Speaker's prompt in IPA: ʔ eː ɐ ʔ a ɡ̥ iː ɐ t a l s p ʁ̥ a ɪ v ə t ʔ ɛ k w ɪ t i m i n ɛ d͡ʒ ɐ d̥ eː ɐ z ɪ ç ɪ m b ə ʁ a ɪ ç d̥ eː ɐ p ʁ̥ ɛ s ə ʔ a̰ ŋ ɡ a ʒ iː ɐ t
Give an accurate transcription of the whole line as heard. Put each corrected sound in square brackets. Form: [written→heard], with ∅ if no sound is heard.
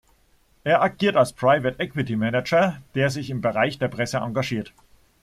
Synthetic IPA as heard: ʔ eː ɐ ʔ a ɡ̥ iː ɐ t a l s p ʁ̥ a ɪ v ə t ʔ ɛ k w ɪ t i m [i→ɛ] n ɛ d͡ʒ ɐ d̥ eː ɐ z ɪ ç ɪ m b ə ʁ a ɪ ç d̥ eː ɐ p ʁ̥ ɛ s ə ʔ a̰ ŋ ɡ a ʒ iː ɐ t